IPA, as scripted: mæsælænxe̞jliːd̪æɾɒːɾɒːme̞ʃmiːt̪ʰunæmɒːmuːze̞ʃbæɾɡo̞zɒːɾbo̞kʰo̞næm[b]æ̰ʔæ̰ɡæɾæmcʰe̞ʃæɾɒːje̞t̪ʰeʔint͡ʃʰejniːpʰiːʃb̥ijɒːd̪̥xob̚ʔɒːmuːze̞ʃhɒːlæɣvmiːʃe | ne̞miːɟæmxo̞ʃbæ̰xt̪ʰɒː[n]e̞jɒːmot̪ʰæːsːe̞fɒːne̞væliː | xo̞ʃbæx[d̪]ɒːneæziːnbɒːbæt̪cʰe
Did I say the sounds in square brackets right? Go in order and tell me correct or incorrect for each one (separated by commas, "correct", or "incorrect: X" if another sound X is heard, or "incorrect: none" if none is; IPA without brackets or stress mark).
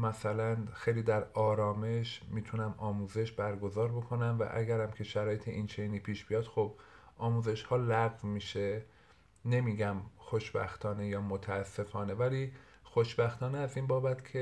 incorrect: v, correct, incorrect: t̪